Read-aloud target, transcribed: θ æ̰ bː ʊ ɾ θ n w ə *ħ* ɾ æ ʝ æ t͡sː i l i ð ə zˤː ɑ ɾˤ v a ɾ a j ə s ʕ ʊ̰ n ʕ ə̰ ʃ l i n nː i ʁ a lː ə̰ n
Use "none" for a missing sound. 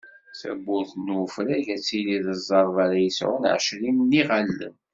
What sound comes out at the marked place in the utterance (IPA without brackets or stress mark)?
f